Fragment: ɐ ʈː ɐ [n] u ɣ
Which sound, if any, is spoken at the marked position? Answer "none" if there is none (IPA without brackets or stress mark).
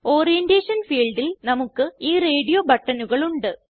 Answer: n